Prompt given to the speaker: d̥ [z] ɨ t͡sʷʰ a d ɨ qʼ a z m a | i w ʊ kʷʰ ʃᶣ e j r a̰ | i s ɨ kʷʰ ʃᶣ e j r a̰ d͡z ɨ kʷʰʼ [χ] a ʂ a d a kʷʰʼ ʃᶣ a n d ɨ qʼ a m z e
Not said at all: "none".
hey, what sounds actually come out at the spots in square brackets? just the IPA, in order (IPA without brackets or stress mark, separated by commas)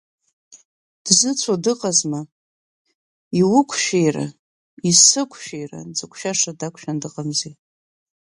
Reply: z, ʃ